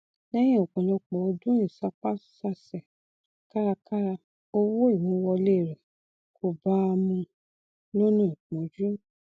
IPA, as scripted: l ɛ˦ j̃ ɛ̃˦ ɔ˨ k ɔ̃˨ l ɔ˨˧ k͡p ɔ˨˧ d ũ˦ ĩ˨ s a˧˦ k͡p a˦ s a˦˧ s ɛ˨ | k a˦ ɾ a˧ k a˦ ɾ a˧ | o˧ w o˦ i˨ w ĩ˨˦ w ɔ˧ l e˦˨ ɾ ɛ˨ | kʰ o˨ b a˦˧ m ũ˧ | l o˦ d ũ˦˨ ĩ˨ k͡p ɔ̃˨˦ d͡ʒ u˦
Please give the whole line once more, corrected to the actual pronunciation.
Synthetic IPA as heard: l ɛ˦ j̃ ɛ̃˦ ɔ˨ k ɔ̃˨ l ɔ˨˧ k͡p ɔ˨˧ d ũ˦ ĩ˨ s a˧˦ k͡p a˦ s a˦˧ s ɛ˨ | k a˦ ɾ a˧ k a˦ ɾ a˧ | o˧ w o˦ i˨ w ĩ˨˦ w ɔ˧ l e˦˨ ɾ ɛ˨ | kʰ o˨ b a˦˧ m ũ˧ | l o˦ n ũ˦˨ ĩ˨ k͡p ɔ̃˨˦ d͡ʒ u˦